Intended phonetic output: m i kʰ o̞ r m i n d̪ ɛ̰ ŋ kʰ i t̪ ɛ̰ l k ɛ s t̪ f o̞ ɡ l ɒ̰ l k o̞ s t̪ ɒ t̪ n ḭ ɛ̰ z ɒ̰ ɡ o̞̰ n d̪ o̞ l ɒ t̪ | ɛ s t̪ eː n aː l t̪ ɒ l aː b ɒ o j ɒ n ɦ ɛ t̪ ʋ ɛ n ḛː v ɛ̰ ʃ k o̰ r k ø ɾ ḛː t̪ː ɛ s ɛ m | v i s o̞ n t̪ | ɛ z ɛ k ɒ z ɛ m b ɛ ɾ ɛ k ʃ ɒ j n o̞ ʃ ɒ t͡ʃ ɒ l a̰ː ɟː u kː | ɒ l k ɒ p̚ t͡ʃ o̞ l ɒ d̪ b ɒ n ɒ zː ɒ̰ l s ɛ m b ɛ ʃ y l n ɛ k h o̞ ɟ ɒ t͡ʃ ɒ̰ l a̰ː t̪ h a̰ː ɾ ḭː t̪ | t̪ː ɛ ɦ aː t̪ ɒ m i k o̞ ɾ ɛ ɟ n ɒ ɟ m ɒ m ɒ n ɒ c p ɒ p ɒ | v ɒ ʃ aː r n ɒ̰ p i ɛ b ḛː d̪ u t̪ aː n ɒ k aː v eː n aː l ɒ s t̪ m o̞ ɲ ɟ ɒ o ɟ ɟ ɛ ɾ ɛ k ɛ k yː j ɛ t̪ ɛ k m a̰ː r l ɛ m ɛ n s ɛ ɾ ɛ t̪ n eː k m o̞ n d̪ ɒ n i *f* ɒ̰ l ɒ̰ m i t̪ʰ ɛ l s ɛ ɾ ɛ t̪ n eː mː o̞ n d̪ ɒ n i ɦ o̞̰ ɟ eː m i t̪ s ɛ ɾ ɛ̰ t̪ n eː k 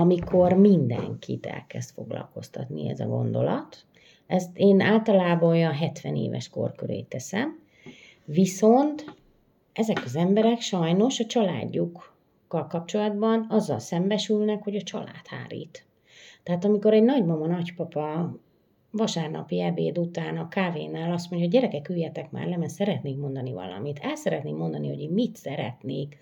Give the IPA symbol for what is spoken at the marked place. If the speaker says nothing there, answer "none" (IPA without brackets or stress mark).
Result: v